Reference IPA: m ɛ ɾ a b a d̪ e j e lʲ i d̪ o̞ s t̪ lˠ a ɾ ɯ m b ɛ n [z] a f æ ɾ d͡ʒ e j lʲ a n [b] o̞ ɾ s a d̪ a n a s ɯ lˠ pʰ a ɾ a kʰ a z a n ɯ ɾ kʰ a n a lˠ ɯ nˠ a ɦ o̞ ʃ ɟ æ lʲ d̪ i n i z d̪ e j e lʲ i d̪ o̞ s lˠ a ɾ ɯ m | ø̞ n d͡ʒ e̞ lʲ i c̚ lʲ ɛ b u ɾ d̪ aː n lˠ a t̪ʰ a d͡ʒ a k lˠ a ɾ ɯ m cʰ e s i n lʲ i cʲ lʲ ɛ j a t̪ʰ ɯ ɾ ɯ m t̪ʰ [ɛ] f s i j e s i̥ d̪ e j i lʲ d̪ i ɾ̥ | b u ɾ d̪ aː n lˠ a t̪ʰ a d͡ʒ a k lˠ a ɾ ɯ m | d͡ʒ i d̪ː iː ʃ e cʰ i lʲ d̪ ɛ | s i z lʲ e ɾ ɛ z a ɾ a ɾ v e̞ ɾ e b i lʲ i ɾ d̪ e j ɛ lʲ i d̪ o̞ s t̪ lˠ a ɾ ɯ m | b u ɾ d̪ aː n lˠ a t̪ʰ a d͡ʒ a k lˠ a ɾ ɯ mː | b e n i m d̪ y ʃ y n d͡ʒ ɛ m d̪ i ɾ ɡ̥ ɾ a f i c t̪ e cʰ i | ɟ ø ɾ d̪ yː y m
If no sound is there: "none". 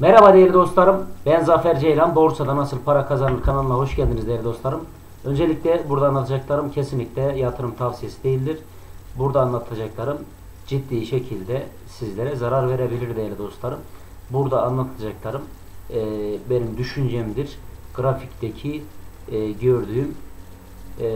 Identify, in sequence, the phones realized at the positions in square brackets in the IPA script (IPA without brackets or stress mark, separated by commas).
z, b, a